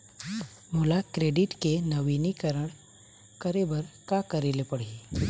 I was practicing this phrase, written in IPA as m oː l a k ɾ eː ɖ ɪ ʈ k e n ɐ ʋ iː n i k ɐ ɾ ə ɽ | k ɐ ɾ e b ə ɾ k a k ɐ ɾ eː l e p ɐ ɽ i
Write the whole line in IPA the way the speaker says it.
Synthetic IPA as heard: m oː l a k ɾ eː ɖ ɪ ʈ k e n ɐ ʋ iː n i k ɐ ɾ ə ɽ | k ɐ ɾ e b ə ɾ k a k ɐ ɾ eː l e p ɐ ɽ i